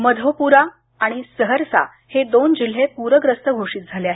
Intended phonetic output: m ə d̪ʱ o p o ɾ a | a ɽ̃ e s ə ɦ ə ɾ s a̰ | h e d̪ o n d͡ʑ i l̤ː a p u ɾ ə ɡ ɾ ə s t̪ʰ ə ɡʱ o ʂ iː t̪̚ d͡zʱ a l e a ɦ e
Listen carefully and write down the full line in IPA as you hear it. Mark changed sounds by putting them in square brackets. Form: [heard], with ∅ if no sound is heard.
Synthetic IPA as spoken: m ə d̪ʱ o p [u] ɾ a | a ɽ̃ [i] s ə ɦ ə ɾ s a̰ | h e d̪ o n d͡ʑ i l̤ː [e] p u ɾ ə ɡ ɾ ə s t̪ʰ ə ɡʱ o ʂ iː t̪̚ d͡zʱ a l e a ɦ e